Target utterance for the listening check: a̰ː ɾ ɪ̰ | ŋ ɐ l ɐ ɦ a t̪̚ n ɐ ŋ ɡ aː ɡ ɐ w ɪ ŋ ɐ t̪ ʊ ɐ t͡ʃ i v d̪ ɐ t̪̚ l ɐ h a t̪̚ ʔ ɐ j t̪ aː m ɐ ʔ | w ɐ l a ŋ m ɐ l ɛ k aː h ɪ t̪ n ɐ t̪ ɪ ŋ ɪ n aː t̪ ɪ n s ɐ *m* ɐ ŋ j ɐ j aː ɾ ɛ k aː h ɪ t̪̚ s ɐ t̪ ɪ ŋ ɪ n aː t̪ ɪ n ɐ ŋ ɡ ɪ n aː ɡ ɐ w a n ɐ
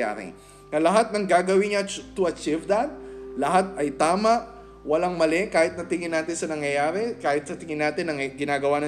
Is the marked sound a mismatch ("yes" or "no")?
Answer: yes